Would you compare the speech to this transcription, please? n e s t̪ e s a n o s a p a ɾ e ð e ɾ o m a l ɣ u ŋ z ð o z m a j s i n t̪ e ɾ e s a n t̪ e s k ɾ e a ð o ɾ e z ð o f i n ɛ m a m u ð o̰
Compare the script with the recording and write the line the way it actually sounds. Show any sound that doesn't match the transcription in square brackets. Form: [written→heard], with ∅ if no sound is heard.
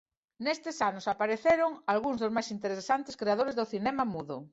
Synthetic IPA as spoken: n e s t̪ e s a n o s a p a ɾ e [ð→θ] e ɾ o [m→ŋ] a l ɣ u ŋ z ð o z m a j s i n t̪ e ɾ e s a n t̪ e s k ɾ e a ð o ɾ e z ð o [f→θ] i n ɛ m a m u ð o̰